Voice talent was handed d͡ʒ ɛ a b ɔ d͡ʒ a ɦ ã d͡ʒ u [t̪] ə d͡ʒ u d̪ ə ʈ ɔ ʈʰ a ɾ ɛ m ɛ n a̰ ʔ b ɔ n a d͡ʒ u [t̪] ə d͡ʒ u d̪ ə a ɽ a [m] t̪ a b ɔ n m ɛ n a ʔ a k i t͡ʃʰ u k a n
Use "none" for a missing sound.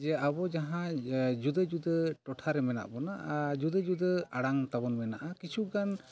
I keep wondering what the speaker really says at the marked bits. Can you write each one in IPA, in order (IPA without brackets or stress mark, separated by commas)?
d̪, d̪, ŋ